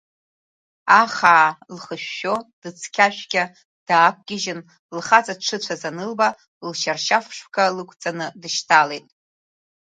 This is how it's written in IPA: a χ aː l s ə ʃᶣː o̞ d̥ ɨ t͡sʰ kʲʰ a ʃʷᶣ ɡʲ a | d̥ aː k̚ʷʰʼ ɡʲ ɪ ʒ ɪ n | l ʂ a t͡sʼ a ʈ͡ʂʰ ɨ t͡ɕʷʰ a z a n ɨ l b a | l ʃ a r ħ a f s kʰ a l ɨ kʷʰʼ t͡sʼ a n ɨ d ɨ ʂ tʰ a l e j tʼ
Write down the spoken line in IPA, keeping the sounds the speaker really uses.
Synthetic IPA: a χ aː l χ ə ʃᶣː o̞ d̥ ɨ t͡sʰ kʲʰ a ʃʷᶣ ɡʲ a | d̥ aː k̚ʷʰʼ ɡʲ ɪ ʒ ɪ n | l χ a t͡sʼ a ʈ͡ʂʰ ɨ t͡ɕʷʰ a z a n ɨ l b a | l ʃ a r ʃ a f ʂ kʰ a l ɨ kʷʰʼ t͡sʼ a n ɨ d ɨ ʃ tʰ a l e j tʼ